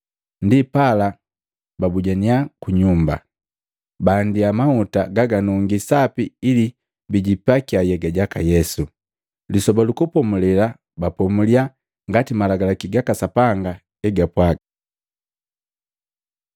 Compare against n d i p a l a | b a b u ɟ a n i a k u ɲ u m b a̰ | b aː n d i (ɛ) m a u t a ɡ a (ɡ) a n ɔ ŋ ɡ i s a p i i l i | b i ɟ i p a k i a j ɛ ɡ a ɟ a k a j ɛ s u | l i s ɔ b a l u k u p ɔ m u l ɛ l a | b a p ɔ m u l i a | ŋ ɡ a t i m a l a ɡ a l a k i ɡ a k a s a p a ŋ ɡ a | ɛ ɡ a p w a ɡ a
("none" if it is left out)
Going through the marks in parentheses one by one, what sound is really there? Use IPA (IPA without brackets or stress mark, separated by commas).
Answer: a, ɡ